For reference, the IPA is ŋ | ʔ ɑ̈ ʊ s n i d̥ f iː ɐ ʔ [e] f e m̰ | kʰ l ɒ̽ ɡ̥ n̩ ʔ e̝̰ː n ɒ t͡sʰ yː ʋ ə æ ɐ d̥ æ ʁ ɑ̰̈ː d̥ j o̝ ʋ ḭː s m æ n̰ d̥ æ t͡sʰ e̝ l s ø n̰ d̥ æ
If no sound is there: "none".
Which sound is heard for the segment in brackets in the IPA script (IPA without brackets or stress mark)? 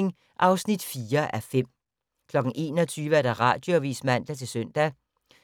æ